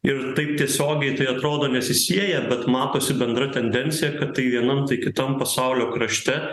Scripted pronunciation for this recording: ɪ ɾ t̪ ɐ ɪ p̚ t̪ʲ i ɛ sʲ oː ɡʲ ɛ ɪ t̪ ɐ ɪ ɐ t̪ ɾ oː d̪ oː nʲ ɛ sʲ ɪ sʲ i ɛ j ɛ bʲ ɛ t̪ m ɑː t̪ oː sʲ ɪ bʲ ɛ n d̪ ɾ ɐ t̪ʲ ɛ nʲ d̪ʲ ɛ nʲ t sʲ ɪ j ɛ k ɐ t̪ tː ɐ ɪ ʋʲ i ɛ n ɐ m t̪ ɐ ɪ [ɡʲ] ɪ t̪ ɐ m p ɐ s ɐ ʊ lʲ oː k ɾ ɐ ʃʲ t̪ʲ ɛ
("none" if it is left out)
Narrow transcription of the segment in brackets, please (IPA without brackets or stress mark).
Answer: kʲ